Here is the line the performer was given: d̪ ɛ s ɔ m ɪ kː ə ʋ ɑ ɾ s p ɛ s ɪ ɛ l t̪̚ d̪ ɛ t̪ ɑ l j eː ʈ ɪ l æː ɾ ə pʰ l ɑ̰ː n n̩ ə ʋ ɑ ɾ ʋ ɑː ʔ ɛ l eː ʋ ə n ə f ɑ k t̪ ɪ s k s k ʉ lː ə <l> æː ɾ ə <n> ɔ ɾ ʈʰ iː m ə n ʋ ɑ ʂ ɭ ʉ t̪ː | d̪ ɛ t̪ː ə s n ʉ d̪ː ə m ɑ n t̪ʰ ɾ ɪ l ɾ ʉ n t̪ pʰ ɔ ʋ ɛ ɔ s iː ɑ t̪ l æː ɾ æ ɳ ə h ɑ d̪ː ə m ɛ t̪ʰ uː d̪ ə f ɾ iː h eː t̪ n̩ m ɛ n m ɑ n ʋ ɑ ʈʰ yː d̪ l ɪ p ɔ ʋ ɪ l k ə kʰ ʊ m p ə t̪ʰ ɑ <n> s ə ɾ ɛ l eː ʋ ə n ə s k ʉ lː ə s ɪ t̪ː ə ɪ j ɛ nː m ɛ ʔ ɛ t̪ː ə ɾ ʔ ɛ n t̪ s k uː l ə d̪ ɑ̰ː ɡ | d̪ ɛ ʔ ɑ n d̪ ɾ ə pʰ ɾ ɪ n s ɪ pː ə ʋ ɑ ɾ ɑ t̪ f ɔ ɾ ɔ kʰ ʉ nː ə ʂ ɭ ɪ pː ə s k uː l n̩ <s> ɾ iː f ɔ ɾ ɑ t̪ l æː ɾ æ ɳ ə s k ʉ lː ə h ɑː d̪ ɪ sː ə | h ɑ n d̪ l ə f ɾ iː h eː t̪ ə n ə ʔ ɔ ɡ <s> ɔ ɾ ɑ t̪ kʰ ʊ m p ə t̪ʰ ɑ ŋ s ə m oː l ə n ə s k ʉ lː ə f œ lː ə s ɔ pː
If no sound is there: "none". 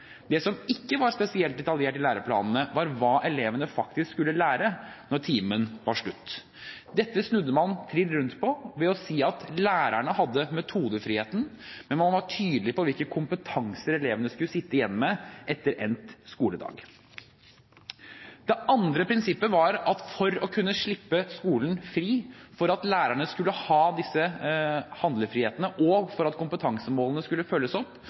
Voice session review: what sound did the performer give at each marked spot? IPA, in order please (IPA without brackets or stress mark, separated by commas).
l, n, ŋ, f, f